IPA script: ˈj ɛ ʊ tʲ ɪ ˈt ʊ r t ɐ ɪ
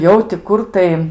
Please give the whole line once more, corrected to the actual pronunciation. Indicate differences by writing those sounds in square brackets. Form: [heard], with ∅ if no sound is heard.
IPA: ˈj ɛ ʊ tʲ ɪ [ˈk] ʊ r t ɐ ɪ